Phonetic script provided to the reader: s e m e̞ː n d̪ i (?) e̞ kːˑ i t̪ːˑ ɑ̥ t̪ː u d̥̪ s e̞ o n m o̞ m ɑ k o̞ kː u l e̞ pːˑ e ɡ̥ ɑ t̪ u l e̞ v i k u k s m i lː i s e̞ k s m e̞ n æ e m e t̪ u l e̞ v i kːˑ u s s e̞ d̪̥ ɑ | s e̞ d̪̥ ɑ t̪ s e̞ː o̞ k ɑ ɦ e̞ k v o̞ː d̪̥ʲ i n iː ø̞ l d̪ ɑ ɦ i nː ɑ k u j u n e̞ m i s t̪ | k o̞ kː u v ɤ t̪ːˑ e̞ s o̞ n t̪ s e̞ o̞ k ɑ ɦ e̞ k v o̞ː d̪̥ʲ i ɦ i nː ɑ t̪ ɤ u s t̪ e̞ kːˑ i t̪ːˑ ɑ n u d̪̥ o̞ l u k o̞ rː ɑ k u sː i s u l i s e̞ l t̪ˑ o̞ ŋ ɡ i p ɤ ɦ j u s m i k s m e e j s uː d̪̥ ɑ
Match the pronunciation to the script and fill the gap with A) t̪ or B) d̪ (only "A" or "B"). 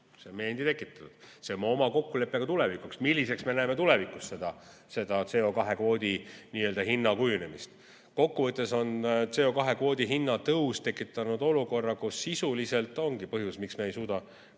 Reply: A